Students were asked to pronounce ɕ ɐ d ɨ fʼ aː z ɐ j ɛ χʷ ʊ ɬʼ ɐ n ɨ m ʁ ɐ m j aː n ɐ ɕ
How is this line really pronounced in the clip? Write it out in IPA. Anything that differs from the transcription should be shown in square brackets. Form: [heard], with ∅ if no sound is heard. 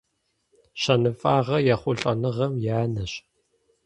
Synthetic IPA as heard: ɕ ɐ [n] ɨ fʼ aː [ʁ] ɐ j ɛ χʷ ʊ ɬʼ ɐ n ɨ [∅] ʁ ɐ m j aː n ɐ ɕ